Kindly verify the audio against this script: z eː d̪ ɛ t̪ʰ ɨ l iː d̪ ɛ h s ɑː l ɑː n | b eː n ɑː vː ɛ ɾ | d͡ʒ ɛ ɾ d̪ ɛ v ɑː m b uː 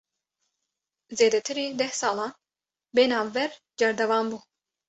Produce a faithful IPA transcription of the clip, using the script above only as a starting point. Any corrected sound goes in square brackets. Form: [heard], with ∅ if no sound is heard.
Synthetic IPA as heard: z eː d̪ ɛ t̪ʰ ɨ [ɾ] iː d̪ ɛ h s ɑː l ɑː n | b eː n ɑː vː ɛ ɾ | d͡ʒ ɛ ɾ d̪ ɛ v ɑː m b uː